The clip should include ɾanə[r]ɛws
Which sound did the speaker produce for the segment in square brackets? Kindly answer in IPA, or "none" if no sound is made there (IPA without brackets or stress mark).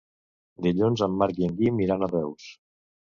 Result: r